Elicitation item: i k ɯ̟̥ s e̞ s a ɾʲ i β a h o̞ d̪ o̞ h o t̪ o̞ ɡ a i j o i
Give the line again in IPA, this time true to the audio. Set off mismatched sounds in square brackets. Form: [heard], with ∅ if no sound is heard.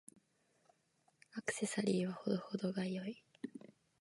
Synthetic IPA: [a] k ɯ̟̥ s e̞ s a ɾʲ [iː] β a h o̞ d̪ o̞ h o [d̪] o̞ ɡ a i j o i

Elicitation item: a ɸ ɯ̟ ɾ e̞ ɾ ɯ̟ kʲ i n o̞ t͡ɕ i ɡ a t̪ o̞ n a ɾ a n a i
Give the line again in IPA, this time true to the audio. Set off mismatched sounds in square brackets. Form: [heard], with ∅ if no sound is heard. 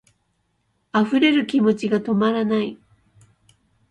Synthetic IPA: a ɸ ɯ̟ ɾ e̞ ɾ ɯ̟ kʲ i [m] o̞ t͡ɕ i ɡ a t̪ o̞ [m] a ɾ a n a i

